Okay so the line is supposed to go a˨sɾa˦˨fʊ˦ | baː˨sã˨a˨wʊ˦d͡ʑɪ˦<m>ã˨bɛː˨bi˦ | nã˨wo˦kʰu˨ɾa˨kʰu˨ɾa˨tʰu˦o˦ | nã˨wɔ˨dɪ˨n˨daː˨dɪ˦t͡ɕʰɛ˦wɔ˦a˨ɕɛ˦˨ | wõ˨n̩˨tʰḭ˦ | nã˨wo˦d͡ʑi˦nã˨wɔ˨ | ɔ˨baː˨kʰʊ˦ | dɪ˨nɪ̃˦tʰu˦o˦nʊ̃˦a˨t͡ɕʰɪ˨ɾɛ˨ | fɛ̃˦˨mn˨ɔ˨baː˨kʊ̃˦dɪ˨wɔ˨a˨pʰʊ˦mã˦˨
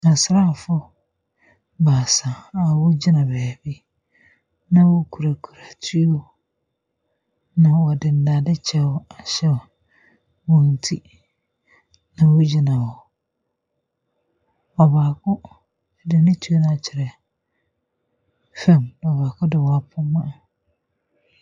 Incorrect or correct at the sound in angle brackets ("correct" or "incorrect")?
incorrect